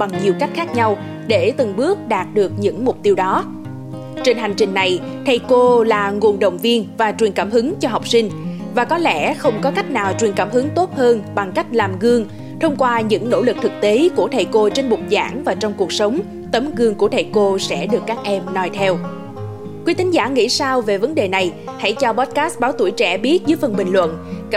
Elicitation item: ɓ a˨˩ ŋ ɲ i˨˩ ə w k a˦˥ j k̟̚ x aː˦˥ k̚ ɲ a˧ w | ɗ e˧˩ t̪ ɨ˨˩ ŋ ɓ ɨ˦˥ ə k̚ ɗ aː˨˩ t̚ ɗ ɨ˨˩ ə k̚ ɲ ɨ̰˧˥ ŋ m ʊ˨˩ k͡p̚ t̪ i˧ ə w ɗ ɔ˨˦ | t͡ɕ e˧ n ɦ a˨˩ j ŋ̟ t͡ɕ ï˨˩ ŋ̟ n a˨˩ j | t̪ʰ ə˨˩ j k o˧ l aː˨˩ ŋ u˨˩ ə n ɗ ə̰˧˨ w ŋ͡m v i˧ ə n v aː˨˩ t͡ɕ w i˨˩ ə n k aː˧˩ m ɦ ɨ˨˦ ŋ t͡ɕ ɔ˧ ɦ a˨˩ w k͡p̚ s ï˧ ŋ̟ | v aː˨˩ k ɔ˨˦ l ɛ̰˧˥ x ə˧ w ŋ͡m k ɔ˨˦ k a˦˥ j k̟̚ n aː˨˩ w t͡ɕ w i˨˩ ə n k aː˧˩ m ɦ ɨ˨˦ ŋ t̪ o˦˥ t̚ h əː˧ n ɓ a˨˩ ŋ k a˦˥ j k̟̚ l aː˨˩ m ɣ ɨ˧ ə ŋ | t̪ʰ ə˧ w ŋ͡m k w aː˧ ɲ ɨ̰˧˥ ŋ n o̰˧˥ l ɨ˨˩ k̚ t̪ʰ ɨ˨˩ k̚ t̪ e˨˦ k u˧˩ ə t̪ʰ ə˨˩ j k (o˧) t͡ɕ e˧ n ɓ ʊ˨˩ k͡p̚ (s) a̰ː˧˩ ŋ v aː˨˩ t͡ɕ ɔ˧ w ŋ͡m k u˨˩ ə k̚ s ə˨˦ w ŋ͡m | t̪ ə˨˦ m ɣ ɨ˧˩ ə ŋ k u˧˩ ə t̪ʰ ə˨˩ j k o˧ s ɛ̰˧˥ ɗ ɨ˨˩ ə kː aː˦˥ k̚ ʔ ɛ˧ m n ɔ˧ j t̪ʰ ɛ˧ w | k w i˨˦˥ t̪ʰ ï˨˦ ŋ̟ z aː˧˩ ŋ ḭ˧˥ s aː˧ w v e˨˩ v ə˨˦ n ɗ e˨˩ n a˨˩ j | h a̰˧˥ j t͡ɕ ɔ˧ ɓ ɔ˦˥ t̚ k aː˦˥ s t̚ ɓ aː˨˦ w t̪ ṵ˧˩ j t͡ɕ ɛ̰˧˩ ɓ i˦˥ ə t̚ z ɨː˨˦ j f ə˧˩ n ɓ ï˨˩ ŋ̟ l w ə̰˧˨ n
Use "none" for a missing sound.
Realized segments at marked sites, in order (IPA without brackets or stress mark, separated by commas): o˧, z